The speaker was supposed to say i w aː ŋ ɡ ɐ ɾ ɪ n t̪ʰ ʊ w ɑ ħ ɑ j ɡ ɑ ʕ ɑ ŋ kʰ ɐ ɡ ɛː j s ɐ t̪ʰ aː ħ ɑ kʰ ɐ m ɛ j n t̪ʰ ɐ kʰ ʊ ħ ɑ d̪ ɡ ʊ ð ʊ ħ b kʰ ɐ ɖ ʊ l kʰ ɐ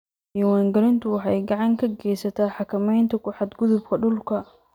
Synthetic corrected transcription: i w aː ŋ ɡ ɐ ɾ ɪ n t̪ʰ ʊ w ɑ ħ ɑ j ɡ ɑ ʕ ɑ ŋ kʰ ɐ ɡ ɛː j s ɐ t̪ʰ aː ħ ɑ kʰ ɐ m ɛ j n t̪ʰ ɐ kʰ ʊ ħ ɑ d̪ ɡ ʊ ð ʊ b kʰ ɐ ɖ ʊ l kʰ ɐ